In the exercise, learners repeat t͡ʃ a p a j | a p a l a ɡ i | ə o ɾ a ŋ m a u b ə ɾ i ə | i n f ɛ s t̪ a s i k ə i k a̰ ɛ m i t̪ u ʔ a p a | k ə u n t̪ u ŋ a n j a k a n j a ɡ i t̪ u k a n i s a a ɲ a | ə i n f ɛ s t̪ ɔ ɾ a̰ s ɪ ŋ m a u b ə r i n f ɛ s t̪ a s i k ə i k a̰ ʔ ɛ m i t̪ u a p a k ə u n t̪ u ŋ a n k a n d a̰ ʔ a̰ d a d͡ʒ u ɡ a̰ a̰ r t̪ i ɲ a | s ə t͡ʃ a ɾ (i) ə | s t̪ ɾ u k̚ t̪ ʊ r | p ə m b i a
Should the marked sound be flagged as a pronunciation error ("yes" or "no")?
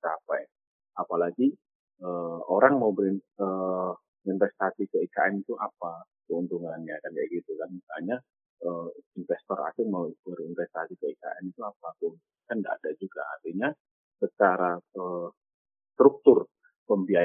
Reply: yes